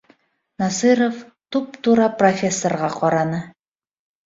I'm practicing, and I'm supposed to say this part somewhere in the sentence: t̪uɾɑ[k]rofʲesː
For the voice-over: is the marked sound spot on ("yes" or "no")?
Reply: no